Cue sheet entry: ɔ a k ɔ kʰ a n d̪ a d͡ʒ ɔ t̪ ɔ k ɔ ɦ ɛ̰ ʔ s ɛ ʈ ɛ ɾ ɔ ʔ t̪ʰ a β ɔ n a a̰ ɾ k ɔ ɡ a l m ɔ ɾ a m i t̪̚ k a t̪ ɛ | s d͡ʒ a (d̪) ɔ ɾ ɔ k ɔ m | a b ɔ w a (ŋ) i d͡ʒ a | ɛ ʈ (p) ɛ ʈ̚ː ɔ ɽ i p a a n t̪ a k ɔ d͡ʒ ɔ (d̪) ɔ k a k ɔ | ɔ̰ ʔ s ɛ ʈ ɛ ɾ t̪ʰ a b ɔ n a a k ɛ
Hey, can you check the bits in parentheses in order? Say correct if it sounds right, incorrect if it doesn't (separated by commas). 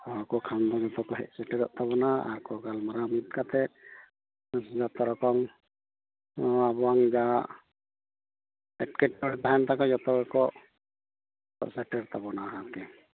incorrect, correct, incorrect, incorrect